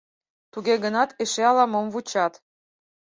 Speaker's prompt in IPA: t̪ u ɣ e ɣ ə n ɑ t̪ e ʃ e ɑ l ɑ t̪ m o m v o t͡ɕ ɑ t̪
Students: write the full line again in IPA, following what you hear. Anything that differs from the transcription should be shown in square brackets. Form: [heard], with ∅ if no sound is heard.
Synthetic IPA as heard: t̪ u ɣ e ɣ ə n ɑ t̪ e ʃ e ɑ l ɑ [∅] m o m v [u] t͡ɕ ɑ t̪